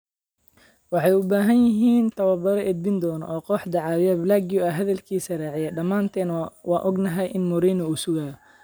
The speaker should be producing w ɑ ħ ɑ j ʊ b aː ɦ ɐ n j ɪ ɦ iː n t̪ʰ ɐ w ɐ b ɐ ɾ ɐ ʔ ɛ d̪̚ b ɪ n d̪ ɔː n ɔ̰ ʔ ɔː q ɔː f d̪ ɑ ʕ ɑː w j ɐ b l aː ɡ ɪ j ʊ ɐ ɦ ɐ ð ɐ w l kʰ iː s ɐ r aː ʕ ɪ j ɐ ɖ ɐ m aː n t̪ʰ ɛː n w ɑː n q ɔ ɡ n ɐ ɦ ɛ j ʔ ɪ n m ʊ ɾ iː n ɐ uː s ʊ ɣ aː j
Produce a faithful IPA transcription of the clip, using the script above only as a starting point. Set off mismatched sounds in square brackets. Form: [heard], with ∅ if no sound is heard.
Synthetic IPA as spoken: w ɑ ħ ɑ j ʊ b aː ɦ ɐ n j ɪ ɦ iː n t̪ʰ ɐ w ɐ b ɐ ɾ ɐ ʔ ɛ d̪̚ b ɪ n d̪ ɔː n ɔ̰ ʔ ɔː q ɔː [ħ] d̪ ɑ ʕ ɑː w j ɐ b l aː ɡ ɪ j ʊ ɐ ɦ ɐ ð ɐ [∅] l kʰ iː s ɐ r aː ʕ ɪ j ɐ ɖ ɐ m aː n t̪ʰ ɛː n w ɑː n [ʔ] ɔ ɡ n ɐ ɦ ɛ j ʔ ɪ n m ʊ ɾ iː n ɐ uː s ʊ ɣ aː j